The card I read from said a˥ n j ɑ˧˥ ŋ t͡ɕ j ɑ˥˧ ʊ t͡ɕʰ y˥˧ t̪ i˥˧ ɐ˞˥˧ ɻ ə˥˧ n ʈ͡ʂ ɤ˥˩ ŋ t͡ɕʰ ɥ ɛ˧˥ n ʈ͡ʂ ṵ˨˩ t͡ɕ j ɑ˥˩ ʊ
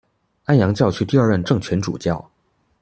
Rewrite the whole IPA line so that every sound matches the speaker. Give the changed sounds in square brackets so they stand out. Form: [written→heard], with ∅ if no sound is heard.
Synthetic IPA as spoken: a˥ n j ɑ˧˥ ŋ t͡ɕ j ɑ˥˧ ʊ t͡ɕʰ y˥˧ t̪ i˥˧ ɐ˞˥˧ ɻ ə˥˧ n ʈ͡ʂ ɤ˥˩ ŋ t͡ɕʰ ɥ ɛ˧˥ n ʈ͡ʂ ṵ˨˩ t͡ɕ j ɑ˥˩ ʊ